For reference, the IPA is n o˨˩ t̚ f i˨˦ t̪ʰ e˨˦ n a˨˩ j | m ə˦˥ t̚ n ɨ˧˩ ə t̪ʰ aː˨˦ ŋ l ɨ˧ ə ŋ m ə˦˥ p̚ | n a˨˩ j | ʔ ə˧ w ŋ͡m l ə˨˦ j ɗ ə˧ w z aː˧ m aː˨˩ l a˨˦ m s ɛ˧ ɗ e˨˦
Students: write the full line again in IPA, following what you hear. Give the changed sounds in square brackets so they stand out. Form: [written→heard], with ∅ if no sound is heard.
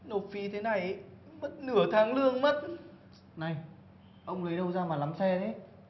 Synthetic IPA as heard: n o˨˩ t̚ f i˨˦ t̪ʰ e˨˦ n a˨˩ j | m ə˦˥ t̚ n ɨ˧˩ ə t̪ʰ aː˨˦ ŋ l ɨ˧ ə ŋ m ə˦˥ [p̚→t̚] | n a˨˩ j | ʔ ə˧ w ŋ͡m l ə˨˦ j ɗ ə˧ w z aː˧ m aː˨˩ l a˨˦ m s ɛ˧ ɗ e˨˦